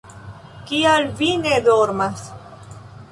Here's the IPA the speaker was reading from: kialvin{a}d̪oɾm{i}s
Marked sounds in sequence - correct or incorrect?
incorrect: e, incorrect: a

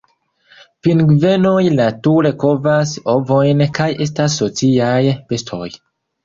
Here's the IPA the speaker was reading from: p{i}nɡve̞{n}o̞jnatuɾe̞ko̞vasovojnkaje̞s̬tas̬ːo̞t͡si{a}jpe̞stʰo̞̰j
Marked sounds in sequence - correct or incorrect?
correct, correct, correct

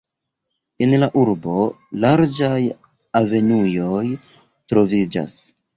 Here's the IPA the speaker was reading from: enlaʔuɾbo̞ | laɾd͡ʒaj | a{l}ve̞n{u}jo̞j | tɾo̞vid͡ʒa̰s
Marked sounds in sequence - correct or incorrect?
incorrect: none, correct

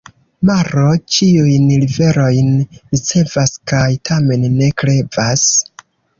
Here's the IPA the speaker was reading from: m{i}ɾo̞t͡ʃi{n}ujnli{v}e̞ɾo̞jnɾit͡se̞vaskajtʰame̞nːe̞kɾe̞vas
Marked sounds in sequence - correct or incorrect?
incorrect: a, incorrect: none, correct

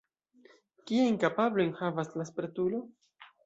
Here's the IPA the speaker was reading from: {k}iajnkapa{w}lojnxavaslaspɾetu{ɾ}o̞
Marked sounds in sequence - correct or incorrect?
correct, incorrect: b, incorrect: l

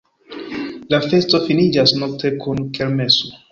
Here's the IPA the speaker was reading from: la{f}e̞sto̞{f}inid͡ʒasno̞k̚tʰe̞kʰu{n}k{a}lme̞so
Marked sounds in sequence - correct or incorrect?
correct, correct, correct, incorrect: e

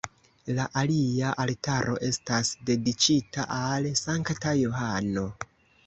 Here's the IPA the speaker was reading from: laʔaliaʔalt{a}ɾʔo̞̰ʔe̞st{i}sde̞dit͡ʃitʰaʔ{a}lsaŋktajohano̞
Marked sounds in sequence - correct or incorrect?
correct, incorrect: a, correct

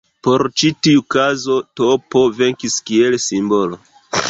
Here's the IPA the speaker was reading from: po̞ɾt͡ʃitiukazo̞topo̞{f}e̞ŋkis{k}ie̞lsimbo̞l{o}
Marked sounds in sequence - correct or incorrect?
incorrect: v, correct, correct

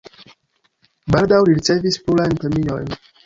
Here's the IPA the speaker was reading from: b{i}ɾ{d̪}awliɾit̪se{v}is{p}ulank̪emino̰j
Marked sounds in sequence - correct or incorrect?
incorrect: a, correct, correct, correct

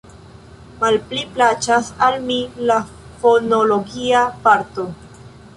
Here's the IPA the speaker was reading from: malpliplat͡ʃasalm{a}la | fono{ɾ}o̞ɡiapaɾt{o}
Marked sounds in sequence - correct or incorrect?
incorrect: i, incorrect: l, correct

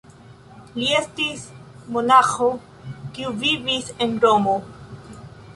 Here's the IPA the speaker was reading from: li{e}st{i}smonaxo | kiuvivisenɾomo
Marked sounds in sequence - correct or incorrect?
correct, correct

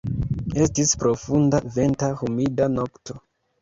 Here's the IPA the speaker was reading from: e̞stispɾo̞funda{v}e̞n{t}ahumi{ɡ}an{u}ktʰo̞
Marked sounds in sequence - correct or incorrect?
correct, correct, incorrect: d, incorrect: o

